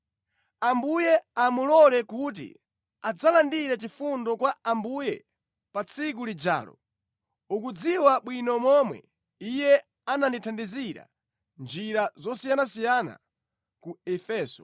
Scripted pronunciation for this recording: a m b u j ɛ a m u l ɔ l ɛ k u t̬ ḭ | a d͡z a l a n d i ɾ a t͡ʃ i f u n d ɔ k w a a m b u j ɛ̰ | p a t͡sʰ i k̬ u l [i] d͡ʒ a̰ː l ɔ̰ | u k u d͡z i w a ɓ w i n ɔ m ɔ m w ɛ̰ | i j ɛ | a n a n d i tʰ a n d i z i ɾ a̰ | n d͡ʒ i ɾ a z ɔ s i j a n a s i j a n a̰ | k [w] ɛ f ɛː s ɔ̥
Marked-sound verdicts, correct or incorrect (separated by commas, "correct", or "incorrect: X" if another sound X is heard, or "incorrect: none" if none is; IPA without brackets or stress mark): correct, incorrect: u